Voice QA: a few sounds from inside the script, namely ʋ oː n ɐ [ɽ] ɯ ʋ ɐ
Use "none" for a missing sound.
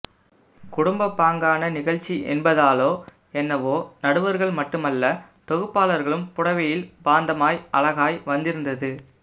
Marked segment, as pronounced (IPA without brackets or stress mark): ɽ